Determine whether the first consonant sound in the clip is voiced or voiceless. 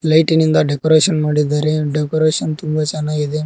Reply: voiced